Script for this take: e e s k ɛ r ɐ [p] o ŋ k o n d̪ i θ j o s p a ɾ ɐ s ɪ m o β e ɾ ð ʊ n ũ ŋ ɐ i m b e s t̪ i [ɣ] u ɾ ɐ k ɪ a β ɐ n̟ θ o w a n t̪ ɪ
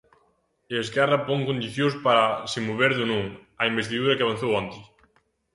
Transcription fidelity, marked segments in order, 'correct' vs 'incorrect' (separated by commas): correct, incorrect